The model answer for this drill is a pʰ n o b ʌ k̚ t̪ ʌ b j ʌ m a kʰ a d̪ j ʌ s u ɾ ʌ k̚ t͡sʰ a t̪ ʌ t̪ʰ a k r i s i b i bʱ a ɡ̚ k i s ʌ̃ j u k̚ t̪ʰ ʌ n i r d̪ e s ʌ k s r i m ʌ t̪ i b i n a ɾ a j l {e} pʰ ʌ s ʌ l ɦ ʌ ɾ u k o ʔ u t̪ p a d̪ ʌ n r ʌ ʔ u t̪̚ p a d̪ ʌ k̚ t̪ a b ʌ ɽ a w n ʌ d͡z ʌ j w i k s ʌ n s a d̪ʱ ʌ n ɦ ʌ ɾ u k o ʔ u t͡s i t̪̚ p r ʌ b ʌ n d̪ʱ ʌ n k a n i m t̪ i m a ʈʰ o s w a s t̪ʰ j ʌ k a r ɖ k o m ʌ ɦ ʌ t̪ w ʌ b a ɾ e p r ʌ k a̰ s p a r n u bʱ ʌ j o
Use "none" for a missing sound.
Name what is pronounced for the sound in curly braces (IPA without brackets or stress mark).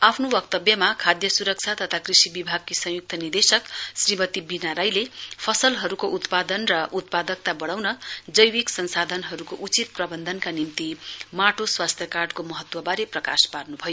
e